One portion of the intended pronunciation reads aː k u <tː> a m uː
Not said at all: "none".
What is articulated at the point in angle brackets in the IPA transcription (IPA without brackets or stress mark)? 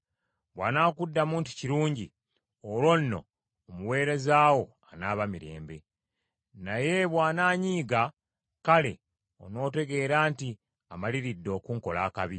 dː